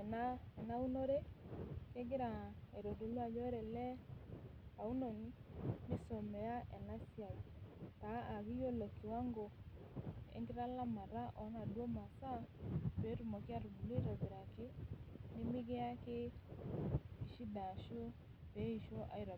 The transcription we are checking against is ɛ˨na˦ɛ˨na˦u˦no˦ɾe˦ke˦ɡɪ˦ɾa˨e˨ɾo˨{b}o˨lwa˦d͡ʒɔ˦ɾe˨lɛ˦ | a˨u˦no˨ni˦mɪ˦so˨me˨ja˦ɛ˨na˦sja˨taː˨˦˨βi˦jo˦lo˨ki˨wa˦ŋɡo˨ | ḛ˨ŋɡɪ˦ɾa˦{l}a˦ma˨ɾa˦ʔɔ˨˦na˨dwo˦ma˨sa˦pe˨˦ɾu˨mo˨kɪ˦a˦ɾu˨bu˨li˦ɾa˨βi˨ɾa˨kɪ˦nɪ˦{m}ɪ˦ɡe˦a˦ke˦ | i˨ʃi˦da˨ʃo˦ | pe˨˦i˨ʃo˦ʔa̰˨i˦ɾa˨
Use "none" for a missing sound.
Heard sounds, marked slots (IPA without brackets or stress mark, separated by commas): d, l, m